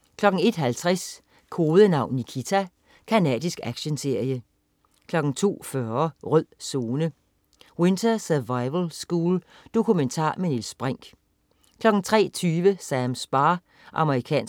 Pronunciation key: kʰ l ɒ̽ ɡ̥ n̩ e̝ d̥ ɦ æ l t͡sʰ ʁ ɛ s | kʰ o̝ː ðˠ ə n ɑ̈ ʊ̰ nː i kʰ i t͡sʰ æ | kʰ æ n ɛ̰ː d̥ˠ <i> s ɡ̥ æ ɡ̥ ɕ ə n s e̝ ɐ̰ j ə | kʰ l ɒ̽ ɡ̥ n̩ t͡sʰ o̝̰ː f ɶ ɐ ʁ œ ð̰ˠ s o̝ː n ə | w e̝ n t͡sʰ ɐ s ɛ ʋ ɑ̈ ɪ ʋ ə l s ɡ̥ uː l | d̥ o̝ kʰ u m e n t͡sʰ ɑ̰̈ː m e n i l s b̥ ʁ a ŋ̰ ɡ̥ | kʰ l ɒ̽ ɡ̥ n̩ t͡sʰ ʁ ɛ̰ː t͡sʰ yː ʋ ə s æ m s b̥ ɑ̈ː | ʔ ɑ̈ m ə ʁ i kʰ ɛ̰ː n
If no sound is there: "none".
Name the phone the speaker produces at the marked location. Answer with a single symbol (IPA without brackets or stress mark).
i